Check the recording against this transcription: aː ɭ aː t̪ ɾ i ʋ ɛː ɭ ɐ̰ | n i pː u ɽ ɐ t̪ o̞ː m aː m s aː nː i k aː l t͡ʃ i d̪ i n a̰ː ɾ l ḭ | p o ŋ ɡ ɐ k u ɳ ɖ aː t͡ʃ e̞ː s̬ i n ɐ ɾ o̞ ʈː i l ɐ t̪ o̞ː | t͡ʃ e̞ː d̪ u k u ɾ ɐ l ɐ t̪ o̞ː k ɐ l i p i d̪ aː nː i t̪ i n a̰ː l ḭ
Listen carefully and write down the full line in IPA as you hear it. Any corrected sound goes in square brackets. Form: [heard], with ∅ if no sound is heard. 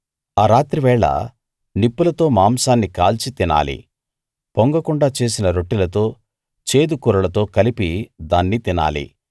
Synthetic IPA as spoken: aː [ɾ] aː t̪ ɾ i ʋ ɛː ɭ ɐ̰ | n i pː u [l] ɐ t̪ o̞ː m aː m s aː nː i k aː l t͡ʃ i [t̪] i n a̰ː [∅] l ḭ | p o ŋ ɡ ɐ k u ɳ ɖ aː t͡ʃ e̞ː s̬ i n ɐ ɾ o̞ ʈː i l ɐ t̪ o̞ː | t͡ʃ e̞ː d̪ u k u ɾ ɐ l ɐ t̪ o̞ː k ɐ l i p i d̪ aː nː i t̪ i n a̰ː l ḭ